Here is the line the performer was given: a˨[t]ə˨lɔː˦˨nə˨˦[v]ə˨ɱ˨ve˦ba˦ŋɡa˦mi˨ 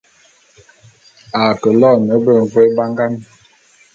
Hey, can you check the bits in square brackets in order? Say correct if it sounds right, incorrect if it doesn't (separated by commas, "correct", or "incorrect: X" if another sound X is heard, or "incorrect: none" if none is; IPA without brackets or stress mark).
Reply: incorrect: k, incorrect: b